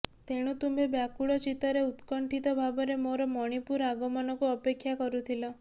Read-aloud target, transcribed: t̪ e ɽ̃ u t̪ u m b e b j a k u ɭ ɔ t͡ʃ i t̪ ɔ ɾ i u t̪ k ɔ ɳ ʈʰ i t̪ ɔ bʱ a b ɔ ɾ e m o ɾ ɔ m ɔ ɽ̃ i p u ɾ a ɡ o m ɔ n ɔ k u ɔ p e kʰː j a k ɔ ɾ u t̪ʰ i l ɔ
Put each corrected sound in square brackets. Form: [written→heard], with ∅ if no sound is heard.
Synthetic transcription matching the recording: t̪ e ɽ̃ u t̪ u m b e b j a k u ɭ ɔ t͡ʃ i t̪ ɔ ɾ [i→e] u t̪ k ɔ ɳ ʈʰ i t̪ ɔ bʱ a b ɔ ɾ e m o ɾ ɔ m ɔ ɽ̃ i p u ɾ a ɡ [o→ɔ] m ɔ n ɔ k u ɔ p e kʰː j a k ɔ ɾ u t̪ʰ i l ɔ